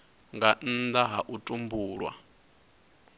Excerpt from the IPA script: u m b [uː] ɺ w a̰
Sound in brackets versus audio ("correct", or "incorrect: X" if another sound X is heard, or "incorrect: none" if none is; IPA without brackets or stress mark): correct